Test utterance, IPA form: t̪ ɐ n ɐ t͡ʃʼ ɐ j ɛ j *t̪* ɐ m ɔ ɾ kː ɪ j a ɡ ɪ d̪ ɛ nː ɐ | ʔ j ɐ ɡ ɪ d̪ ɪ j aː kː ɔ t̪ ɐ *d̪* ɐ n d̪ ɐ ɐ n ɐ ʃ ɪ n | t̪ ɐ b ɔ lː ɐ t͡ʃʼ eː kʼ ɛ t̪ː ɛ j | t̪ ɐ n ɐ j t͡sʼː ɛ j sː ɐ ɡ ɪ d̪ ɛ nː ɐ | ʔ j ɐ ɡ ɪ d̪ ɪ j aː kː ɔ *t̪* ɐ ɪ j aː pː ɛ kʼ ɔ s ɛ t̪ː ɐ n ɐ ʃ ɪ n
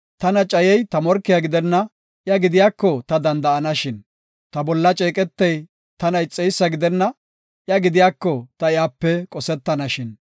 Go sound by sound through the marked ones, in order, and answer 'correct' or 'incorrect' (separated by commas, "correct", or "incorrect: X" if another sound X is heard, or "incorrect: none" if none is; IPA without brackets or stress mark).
correct, correct, correct